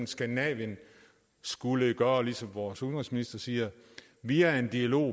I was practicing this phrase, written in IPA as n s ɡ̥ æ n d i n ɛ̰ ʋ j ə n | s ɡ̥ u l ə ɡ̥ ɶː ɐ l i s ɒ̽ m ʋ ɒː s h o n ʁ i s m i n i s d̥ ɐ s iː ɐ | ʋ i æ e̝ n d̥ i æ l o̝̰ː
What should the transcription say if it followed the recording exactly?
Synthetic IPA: n s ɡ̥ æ n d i n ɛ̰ ʋ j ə n | s ɡ̥ u l ə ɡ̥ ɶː ɐ l i s ɒ̽ m ʋ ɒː s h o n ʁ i s m i n i s d̥ ɐ s iː ɐ | ʋ i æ e̝ n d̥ i æ l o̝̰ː